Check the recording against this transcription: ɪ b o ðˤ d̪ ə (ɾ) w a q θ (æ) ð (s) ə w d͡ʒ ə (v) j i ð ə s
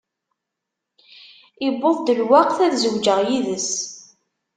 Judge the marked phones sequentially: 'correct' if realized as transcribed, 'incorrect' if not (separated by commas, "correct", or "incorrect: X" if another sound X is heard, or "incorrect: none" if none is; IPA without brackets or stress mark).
incorrect: l, correct, incorrect: z, incorrect: ʁ